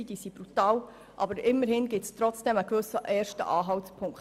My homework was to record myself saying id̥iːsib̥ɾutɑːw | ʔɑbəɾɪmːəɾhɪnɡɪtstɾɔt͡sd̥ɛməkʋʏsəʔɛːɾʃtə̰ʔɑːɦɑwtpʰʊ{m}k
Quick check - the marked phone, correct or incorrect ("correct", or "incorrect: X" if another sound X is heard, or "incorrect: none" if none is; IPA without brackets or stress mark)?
incorrect: ŋ